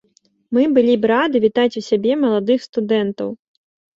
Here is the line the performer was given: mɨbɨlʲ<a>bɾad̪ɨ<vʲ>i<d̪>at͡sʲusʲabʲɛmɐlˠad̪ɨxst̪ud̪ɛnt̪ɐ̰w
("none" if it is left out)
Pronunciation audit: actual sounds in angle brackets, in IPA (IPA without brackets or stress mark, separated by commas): i, vʲ, t̪